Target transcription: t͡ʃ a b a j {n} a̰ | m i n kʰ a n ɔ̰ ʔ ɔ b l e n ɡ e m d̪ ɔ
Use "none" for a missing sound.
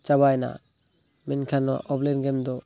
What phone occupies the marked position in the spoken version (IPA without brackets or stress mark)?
n